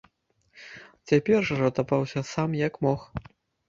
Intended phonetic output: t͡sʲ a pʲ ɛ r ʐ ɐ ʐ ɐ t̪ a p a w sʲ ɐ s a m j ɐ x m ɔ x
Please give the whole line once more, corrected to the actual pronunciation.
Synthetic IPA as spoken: t͡sʲ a pʲ ɛ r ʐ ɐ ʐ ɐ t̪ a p a w sʲ ɐ s a m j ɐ k m ɔ x